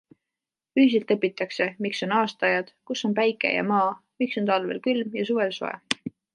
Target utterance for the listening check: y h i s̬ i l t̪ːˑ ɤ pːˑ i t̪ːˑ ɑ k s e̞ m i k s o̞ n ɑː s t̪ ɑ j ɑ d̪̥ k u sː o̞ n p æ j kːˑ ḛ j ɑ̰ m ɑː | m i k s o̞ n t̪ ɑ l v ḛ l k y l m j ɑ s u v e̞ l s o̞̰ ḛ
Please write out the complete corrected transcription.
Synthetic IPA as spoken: y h i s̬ e l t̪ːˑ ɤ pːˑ i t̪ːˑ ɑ k s e̞ m i k s o̞ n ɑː s t̪ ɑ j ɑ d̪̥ k u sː o̞ n p æ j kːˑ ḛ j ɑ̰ m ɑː | m i k s o̞ n t̪ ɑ l v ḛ l k y l m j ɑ s u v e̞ l s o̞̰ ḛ

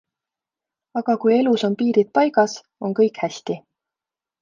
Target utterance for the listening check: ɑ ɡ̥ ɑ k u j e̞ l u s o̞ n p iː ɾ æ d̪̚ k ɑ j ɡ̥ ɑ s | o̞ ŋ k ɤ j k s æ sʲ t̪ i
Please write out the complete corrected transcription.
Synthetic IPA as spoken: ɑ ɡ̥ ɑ k u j e̞ l u s o̞ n p iː ɾ i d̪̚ p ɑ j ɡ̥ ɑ s | o̞ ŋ k ɤ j k h æ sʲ t̪ i

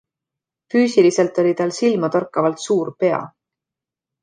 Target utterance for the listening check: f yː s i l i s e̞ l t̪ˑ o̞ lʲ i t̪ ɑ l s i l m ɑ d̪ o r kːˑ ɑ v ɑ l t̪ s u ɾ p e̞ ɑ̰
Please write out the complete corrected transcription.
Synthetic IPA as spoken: f yː s i l i s e̞ l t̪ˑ o̞ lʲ i t̪ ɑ l s i l m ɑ t̪ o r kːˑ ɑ v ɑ l t̪ s uː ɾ p e̞ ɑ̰

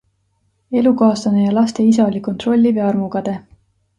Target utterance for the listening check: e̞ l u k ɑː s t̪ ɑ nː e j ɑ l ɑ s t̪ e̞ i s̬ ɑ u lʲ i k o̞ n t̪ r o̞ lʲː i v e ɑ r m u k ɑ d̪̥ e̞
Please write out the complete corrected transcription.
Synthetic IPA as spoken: e̞ l u k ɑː s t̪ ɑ n e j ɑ l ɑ s t̪ e̞ i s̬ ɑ o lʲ i k o̞ n t̪ r o̞ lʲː i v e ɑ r m u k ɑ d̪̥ e̞

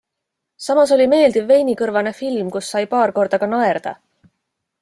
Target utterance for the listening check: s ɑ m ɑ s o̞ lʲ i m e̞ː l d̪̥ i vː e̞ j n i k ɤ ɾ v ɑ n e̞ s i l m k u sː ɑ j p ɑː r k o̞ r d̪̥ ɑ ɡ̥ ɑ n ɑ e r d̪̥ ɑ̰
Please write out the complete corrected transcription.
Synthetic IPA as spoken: s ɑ m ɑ s o̞ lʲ i m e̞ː l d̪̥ i vː e̞ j n i k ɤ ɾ v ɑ n e̞ f i l m k u sː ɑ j p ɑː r k o̞ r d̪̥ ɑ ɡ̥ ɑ n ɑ e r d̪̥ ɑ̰

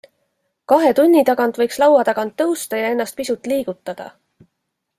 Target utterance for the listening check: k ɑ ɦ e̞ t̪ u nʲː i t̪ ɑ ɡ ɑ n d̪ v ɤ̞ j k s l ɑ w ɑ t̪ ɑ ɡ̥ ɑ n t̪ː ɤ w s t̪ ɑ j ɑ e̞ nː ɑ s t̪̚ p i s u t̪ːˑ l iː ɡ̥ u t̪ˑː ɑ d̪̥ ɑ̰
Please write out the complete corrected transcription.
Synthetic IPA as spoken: k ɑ ɦ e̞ t̪ u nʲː i t̪ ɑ ɡ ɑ n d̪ v ɤ̞ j k s l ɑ w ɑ t̪ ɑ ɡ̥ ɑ n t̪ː ɤ w s t̪ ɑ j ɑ e̞ nː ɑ s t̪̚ p i s u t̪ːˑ l iː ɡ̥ u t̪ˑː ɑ d̪̥ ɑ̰

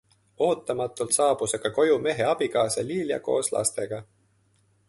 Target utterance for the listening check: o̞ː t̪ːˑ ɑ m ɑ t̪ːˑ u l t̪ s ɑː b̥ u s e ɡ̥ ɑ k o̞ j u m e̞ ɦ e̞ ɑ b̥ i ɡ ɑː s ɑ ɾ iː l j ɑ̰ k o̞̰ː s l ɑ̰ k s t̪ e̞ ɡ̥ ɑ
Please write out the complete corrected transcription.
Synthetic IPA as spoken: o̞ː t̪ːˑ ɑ m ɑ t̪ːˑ u l t̪ s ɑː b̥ u s e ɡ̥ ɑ k o̞ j u m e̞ ɦ e̞ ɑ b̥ i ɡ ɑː s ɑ l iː l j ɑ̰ k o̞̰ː s l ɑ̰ s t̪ e̞ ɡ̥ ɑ

